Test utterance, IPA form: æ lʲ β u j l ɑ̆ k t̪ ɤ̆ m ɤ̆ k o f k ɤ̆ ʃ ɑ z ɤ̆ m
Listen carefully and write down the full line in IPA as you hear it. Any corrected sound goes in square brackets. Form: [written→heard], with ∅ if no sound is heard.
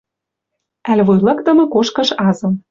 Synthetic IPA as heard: æ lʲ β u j l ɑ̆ k t̪ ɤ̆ m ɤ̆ k o [f→ʃ] k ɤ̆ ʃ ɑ z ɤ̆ m